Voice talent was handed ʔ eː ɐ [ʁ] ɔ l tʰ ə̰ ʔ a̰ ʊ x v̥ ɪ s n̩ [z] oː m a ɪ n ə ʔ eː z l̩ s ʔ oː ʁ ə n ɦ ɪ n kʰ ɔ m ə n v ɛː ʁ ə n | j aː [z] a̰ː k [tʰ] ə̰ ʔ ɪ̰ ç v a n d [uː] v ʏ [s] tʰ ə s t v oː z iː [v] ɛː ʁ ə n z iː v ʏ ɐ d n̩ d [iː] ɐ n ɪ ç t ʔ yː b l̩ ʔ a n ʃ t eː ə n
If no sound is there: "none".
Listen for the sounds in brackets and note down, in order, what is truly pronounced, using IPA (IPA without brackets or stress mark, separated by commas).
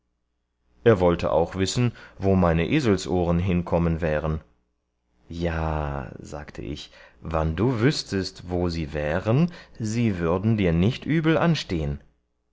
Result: v, v, z, tʰ, uː, s, v, iː